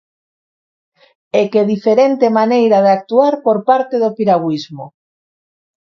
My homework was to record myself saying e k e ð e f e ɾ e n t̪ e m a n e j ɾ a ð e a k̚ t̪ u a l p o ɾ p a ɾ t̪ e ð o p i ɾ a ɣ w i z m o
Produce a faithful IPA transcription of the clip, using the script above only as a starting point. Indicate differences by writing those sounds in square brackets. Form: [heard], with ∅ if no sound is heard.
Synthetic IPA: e k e ð [i] f e ɾ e n t̪ e m a n e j ɾ a ð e a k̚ t̪ u a [ɾ] p o ɾ p a ɾ t̪ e ð o p i ɾ a ɣ w i z m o